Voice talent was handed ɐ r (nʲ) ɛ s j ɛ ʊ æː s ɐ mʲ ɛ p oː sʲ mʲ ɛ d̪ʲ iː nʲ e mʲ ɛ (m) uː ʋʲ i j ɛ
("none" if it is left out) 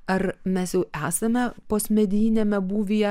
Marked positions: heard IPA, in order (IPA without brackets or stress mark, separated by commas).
mʲ, b